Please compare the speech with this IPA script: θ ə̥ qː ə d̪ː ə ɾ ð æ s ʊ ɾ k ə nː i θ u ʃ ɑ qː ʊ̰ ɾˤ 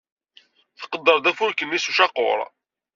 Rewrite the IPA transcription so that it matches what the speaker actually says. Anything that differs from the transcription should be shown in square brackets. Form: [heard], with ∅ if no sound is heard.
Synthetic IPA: θ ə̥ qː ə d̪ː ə ɾ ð æ [f] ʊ ɾ k ə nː i [s] u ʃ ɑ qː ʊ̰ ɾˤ